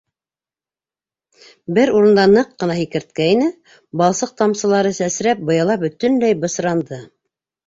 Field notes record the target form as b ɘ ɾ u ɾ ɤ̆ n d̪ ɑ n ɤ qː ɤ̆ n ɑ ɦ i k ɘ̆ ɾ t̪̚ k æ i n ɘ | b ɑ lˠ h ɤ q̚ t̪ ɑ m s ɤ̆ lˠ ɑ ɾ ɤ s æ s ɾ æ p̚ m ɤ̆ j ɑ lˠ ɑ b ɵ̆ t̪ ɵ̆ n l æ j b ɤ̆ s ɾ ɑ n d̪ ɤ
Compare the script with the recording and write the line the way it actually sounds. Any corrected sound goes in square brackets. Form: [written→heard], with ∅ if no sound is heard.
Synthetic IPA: b ɘ ɾ u ɾ ɤ̆ n d̪ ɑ n ɤ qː ɤ̆ n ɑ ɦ i k ɘ̆ ɾ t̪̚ k æ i n ɘ | b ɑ lˠ [h→s] ɤ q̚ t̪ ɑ m s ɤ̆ lˠ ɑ ɾ ɤ s æ s ɾ æ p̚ [m→b] ɤ̆ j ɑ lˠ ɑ b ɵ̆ t̪ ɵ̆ n l æ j b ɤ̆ s ɾ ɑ n d̪ ɤ